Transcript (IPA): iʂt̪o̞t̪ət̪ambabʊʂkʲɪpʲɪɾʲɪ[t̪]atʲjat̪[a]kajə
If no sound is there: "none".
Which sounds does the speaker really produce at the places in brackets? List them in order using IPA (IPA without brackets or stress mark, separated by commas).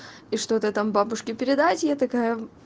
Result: d̪, ɐ